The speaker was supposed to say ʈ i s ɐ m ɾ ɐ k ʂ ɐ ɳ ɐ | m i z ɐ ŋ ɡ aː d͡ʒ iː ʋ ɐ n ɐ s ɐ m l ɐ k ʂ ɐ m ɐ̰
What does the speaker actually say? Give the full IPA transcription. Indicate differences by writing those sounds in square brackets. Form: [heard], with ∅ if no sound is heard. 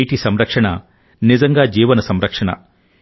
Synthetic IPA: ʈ i s ɐ m ɾ ɐ k ʂ ɐ ɳ ɐ | [n] i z ɐ ŋ ɡ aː d͡ʒ iː ʋ ɐ n ɐ s ɐ m [ɾ] ɐ k ʂ ɐ [ɳ] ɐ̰